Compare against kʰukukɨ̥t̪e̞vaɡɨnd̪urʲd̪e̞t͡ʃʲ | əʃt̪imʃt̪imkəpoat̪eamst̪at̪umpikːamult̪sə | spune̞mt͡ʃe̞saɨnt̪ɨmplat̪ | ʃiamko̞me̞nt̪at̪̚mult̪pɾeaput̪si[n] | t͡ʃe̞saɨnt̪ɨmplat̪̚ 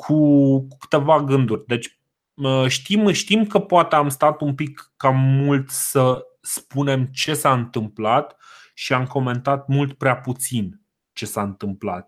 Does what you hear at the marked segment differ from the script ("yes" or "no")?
no